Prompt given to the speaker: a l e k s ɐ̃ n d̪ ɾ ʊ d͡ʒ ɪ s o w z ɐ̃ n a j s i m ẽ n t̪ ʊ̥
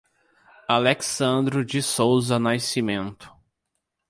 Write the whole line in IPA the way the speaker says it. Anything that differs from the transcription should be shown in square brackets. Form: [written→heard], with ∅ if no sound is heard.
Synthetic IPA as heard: a l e k s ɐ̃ n d̪ ɾ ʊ d͡ʒ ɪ s o w z [ɐ̃→ɐ] n a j s i m ẽ n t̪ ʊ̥